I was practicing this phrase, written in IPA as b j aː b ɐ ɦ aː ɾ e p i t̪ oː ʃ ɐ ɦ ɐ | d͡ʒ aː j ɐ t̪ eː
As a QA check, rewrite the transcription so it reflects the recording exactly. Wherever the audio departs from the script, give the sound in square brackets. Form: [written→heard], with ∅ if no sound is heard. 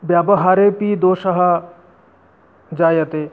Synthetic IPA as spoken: b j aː b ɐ ɦ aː ɾ e p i [t̪→d̪] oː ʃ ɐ ɦ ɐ | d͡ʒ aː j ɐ t̪ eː